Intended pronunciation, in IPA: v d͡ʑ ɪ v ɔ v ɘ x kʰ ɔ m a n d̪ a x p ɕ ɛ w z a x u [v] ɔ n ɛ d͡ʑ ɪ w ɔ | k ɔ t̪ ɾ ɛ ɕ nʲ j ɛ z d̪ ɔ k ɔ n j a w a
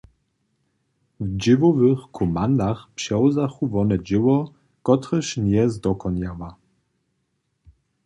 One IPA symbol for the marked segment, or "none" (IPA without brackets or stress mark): v